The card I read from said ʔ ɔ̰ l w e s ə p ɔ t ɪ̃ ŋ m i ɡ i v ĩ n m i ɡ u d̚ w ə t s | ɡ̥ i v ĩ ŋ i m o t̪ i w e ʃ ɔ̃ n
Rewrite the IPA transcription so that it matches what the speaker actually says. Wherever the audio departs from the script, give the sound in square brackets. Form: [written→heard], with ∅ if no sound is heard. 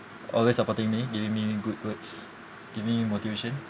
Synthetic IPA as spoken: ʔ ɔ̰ l w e s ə p ɔ t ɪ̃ ŋ m i ɡ i v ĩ [n→ŋ] m i ɡ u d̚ w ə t s | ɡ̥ i v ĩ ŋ i m o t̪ i [w→v] e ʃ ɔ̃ n